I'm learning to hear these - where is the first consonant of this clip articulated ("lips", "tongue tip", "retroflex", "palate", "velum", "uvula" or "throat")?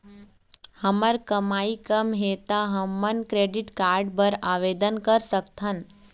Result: throat